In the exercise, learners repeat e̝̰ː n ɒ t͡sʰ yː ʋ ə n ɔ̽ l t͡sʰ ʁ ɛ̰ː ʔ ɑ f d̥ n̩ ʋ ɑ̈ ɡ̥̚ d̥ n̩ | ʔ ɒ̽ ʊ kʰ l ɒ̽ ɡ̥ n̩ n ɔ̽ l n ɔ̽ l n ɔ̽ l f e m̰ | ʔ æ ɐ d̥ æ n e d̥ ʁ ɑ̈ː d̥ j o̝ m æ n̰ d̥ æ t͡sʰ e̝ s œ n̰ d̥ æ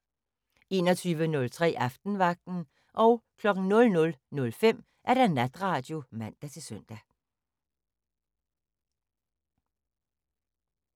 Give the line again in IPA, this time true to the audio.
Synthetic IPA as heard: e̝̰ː n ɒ t͡sʰ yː ʋ ə n ɔ̽ l t͡sʰ ʁ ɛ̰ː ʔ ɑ f d̥ n̩ ʋ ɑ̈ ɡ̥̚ d̥ n̩ | ʔ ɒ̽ ʊ kʰ l ɒ̽ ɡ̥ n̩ n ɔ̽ l n ɔ̽ l n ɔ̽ l f e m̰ | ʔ æ ɐ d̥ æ n æ d̥ ʁ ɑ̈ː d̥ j o̝ m æ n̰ d̥ æ t͡sʰ e̝ s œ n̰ d̥ æ